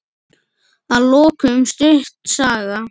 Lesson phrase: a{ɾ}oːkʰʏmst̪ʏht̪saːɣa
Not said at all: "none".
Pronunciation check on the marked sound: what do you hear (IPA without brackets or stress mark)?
l